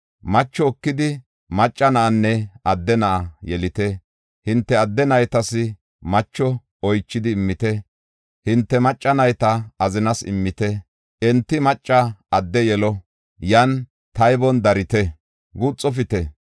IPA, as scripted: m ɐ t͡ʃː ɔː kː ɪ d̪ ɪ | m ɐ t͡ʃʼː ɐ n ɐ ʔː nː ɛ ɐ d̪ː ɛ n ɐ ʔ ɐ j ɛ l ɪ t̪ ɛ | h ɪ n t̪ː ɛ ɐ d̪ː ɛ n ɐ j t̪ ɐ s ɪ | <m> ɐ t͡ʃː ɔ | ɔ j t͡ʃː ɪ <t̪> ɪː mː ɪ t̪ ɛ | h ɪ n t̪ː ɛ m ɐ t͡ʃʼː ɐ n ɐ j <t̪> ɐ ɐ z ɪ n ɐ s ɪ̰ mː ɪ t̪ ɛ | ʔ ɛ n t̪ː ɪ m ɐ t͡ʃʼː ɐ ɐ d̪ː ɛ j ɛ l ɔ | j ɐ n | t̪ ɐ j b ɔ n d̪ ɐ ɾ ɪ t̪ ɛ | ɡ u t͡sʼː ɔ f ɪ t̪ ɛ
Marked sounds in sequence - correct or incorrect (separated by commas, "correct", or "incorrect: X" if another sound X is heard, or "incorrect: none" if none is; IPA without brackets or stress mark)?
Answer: correct, incorrect: d̪, correct